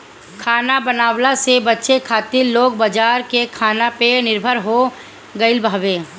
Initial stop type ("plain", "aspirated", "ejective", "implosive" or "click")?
aspirated